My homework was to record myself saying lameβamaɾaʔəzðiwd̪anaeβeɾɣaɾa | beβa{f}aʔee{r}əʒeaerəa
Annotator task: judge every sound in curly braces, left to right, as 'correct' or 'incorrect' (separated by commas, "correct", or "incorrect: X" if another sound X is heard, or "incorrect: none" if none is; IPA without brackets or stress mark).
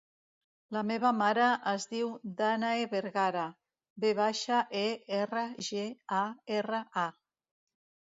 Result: incorrect: ʃ, correct